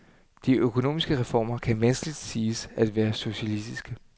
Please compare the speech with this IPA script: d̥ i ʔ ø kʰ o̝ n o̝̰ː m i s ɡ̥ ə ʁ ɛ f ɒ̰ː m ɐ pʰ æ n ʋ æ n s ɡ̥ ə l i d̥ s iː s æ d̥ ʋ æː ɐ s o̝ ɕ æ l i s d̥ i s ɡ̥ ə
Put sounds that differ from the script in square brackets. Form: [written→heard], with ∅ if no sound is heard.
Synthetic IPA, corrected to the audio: d̥ i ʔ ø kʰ o̝ n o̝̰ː m i s ɡ̥ ə ʁ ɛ f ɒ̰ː m ɐ [pʰ→kʰ] æ n ʋ æ n s ɡ̥ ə l i d̥ s iː s æ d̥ ʋ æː ɐ s o̝ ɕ æ l i s d̥ i s ɡ̥ ə